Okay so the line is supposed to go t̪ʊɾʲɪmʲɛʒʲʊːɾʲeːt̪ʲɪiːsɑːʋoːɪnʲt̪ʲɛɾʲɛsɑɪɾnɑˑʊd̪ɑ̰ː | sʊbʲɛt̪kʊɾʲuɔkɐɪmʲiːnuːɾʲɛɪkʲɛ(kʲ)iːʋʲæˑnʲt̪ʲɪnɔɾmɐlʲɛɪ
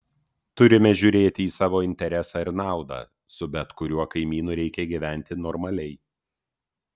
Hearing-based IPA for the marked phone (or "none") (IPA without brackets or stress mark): ɡʲ